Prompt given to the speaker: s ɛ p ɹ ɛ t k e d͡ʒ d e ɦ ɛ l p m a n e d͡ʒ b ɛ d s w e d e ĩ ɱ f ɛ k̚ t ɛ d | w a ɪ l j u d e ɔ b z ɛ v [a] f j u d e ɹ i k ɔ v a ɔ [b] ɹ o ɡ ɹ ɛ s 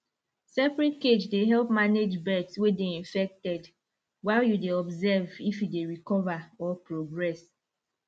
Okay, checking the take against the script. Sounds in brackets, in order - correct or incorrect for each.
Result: incorrect, incorrect

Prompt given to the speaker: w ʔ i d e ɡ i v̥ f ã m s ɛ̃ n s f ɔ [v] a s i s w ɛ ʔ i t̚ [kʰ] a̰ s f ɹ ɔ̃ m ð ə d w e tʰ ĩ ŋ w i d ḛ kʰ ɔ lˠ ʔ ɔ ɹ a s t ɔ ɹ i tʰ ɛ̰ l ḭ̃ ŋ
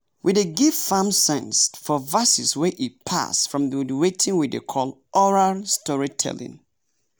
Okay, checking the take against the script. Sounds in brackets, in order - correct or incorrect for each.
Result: correct, incorrect

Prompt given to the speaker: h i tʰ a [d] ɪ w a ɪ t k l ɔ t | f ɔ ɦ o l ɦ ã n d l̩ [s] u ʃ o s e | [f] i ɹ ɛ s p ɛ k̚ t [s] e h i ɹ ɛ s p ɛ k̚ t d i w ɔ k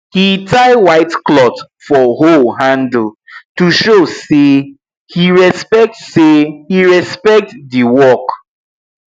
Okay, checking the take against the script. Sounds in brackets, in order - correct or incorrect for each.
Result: incorrect, incorrect, incorrect, correct

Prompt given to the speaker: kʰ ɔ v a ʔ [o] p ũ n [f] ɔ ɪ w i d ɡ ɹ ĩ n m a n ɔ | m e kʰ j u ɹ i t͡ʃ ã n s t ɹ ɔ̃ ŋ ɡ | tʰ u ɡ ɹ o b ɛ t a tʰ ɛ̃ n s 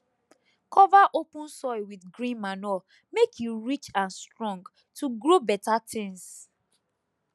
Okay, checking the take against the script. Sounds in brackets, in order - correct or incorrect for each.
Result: correct, incorrect

